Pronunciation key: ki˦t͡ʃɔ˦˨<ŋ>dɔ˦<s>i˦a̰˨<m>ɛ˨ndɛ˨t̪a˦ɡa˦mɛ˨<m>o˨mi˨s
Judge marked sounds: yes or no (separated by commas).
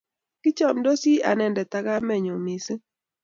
no, yes, no, no